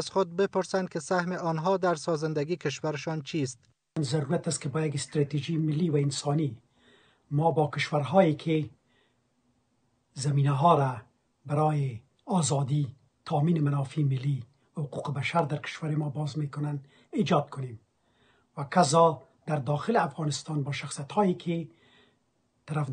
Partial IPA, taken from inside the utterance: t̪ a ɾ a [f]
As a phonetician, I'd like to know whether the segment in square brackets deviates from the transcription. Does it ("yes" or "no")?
no